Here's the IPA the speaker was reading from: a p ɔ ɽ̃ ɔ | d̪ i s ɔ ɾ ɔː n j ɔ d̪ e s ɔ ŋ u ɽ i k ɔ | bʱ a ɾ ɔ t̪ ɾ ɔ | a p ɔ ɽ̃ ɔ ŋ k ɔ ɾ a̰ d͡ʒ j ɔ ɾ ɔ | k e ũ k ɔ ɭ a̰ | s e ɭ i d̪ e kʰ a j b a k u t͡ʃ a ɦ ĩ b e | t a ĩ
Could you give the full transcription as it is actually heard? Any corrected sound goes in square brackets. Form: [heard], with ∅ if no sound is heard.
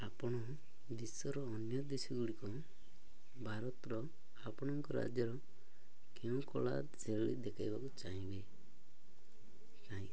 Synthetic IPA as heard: a p ɔ ɽ̃ ɔ | d̪ i s ɔ ɾ ɔː n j ɔ d̪ e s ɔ [ɡ] u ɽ i k ɔ | bʱ a ɾ ɔ t̪ ɾ ɔ | a p ɔ ɽ̃ ɔ ŋ k ɔ ɾ a̰ d͡ʒ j ɔ ɾ ɔ | k e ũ k ɔ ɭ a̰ | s e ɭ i d̪ e kʰ a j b a k u t͡ʃ a ɦ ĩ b e | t a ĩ

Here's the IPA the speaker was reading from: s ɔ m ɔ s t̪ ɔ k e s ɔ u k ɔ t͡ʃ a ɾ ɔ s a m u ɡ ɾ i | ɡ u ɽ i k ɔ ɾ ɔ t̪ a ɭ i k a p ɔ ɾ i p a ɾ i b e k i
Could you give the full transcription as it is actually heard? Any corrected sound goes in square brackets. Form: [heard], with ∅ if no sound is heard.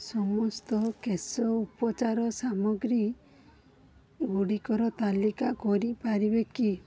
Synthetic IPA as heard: s ɔ m ɔ s t̪ ɔ k e s ɔ u [p] ɔ t͡ʃ a ɾ ɔ s a m [ɔ] ɡ ɾ i | ɡ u ɽ i k ɔ ɾ ɔ t̪ a [l] i k a [k] ɔ ɾ i p a ɾ i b e k i

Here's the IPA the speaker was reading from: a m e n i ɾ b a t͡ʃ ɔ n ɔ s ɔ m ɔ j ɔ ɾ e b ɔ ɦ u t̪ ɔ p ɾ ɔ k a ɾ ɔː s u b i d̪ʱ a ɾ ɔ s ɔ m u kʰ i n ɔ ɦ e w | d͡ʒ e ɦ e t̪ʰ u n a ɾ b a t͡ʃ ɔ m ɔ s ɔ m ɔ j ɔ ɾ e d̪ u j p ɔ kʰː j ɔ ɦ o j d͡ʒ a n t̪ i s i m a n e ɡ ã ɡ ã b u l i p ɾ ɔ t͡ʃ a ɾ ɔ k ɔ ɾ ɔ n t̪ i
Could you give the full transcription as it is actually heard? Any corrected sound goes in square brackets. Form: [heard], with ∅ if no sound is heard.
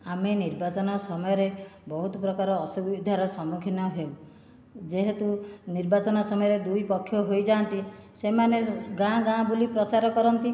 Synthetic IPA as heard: a m e n i ɾ b a t͡ʃ ɔ n ɔ s ɔ m ɔ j ɔ ɾ e b ɔ ɦ u t̪ ɔ p ɾ ɔ k a ɾ ɔː s u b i d̪ʱ a ɾ ɔ s ɔ m u kʰ i n ɔ ɦ e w | d͡ʒ e ɦ e [t̪] u n [i] ɾ b a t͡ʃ ɔ [n] ɔ s ɔ m ɔ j ɔ ɾ e d̪ u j p ɔ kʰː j ɔ ɦ o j d͡ʒ a n t̪ i s [e] m a n e ɡ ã ɡ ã b u l i p ɾ ɔ t͡ʃ a ɾ ɔ k ɔ ɾ ɔ n t̪ i

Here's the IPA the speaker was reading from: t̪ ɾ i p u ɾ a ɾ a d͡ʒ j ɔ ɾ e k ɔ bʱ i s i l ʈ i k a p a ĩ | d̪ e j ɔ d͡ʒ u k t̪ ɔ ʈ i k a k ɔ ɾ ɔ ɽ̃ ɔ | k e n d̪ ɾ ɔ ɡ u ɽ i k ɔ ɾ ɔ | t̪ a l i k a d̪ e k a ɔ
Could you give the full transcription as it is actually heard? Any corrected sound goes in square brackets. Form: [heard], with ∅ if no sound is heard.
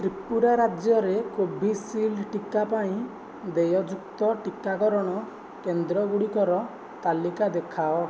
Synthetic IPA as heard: t̪ ɾ i p u ɾ a ɾ a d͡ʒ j ɔ ɾ e k [o] bʱ i s i l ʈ i k a p a ĩ | d̪ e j ɔ d͡ʒ u k t̪ ɔ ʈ i k a k ɔ ɾ ɔ ɽ̃ ɔ | k e n d̪ ɾ ɔ ɡ u ɽ i k ɔ ɾ ɔ | t̪ a l i k a d̪ e [kʰ] a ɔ

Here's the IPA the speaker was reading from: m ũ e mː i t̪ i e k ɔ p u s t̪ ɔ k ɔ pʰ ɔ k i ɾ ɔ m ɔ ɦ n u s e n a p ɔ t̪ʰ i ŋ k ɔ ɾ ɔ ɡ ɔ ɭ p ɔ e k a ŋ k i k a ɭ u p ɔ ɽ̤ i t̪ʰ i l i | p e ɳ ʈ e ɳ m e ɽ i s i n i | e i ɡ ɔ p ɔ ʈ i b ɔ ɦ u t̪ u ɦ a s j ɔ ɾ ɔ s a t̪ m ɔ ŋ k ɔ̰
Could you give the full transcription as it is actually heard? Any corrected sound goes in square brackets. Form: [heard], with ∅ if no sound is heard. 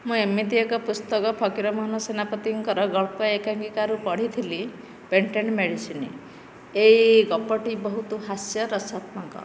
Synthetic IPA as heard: m ũ e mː i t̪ i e k ɔ p u s t̪ ɔ k ɔ pʰ ɔ k i ɾ ɔ m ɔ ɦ n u s e n a p ɔ [t̪] i ŋ k ɔ ɾ ɔ ɡ ɔ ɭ p ɔ e k a ŋ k i k a [ɾ] u p ɔ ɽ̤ i t̪ʰ i l i | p e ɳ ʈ e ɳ m e ɽ i s i n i | e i ɡ ɔ p ɔ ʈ i b ɔ ɦ u t̪ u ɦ a s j ɔ ɾ ɔ s a t̪ m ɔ ŋ k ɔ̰

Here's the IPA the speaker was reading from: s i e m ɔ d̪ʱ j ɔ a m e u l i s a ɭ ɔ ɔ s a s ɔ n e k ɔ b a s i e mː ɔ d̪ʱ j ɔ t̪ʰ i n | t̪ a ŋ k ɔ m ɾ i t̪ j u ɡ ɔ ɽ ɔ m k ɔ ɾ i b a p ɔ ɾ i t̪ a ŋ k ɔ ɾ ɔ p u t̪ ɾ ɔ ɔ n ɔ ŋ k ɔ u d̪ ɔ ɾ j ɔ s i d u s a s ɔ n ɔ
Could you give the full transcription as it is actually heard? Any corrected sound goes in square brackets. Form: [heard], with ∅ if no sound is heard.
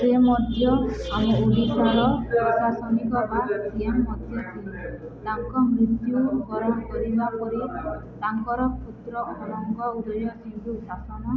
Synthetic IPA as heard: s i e m ɔ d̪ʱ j ɔ a m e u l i s a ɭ ɔ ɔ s a s ɔ n [i] k ɔ b a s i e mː ɔ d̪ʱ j ɔ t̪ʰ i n | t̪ a ŋ k ɔ m ɾ i t̪ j u ɡ ɔ [ɾ] ɔ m k ɔ ɾ i b a p ɔ ɾ i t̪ a ŋ k ɔ ɾ ɔ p u t̪ ɾ ɔ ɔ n ɔ ŋ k ɔ u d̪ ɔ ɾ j ɔ s i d u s a s ɔ n ɔ

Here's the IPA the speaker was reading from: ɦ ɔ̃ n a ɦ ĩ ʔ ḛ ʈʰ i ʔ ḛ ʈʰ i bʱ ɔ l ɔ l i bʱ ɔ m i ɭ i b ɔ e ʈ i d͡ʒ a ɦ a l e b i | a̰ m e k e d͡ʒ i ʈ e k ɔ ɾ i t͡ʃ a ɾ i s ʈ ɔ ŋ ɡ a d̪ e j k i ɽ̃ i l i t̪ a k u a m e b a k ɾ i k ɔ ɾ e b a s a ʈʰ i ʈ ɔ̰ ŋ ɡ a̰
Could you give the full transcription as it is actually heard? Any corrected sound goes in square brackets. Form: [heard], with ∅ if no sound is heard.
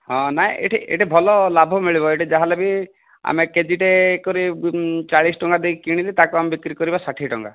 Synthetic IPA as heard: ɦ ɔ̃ n a ɦ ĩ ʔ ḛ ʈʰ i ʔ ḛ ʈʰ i bʱ ɔ l ɔ l [a] bʱ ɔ m i ɭ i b ɔ e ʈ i d͡ʒ a ɦ a l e b i | a̰ m e k e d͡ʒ i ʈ e k ɔ ɾ i t͡ʃ a [ɭ] i s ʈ ɔ ŋ ɡ a d̪ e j k i ɽ̃ i l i t̪ a k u a m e b [i] k ɾ i k ɔ ɾ [i] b a s a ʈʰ i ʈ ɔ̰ ŋ ɡ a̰

